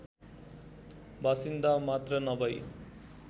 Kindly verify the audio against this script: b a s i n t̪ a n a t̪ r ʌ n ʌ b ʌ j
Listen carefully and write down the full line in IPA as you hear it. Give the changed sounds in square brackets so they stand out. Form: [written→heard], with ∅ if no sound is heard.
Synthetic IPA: b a s i n [t̪→d̪] a [n→m] a t̪ r ʌ n ʌ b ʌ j